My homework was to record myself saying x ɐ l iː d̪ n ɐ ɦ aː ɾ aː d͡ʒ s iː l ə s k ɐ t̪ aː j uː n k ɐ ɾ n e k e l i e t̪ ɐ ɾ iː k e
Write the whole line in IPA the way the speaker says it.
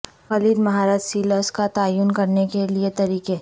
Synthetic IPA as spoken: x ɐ l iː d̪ m ɐ ɦ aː ɾ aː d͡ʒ s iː l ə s k a t̪ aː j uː n k ɐ ɾ n e k e l i e t̪ ɐ ɾ iː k e